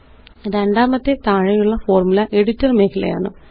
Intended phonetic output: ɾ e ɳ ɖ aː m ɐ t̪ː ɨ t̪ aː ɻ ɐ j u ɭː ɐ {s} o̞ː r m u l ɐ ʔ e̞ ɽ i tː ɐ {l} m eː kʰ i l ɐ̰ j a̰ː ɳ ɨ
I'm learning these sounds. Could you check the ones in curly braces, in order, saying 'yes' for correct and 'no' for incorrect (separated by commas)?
no, no